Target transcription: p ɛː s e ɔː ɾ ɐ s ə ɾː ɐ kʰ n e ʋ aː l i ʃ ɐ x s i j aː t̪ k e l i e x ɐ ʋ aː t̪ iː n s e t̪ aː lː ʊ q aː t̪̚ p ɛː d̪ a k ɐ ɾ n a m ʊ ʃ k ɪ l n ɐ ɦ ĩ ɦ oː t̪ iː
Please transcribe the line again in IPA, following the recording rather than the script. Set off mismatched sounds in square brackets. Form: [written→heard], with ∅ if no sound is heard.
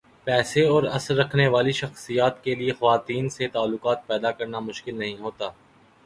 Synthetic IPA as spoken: p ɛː s e ɔː ɾ ɐ s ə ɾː ɐ kʰ n e ʋ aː l i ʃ ɐ x s i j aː t̪ k e l i e x ɐ ʋ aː t̪ iː n s e t̪ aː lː ʊ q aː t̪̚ p ɛː d̪ a k ɐ ɾ n a m ʊ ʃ k ɪ l n ɐ ɦ ĩ ɦ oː t̪ [iː→aː]